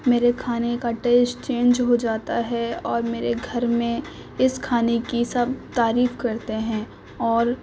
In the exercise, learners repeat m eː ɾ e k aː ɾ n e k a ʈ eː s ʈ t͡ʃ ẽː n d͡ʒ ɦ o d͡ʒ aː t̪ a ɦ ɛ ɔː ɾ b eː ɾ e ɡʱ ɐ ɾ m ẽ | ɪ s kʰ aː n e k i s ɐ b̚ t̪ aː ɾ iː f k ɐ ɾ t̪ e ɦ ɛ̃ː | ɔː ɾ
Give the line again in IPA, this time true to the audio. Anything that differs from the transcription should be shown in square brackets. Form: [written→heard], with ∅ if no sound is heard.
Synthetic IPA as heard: m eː ɾ e [k→kʰ] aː [ɾ→∅] n e k a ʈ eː s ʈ t͡ʃ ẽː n d͡ʒ ɦ o d͡ʒ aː t̪ a ɦ ɛ ɔː ɾ [b→m] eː ɾ e ɡʱ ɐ ɾ m ẽ | ɪ s kʰ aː n e k i s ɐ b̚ t̪ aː ɾ iː f k ɐ ɾ t̪ e ɦ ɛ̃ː | ɔː ɾ